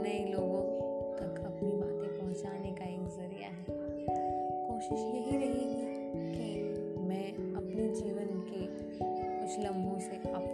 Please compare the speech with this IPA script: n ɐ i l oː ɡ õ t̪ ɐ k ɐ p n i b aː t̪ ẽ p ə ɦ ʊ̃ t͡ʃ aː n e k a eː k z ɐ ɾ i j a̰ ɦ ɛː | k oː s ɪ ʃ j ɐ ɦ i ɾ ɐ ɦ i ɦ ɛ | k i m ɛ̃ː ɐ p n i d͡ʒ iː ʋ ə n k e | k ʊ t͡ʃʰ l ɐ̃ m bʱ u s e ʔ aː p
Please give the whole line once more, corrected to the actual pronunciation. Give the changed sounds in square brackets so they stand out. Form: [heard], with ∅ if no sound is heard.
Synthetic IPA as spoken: n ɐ i l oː ɡ õ t̪ ɐ k ɐ p n i b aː t̪ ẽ p [ɐ] ɦ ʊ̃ t͡ʃ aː n e k a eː k z ɐ ɾ i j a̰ ɦ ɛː | k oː [ʃ] ɪ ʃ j ɐ ɦ i ɾ ɐ ɦ i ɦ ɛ | k i m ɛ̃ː ɐ p n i d͡ʒ iː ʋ ə n k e | k ʊ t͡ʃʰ l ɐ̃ m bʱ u s e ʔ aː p